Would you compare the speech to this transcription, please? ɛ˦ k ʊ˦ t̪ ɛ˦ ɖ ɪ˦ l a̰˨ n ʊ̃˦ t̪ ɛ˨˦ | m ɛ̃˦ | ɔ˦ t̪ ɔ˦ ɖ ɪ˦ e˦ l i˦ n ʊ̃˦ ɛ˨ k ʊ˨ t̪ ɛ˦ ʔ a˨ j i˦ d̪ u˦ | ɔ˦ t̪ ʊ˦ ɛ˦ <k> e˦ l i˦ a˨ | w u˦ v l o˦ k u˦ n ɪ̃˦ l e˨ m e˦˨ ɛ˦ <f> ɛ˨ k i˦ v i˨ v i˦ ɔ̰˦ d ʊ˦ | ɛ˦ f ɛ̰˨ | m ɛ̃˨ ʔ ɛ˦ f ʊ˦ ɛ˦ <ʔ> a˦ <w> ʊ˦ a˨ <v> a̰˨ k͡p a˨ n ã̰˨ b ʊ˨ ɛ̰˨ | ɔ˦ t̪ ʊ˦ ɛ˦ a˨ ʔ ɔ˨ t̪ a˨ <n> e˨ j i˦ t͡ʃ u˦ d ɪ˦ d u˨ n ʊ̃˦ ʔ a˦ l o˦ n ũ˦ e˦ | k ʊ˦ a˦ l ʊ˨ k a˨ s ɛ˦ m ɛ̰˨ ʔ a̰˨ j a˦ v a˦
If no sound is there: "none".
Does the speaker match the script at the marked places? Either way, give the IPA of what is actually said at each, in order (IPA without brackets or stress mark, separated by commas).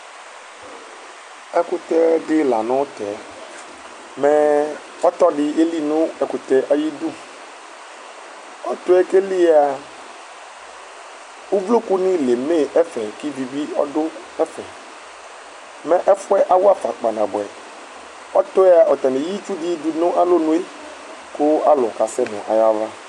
k, f, ʔ, w, f, n